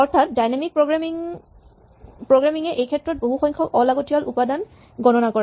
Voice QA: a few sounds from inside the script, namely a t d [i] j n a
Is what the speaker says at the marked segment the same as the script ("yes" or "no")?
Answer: no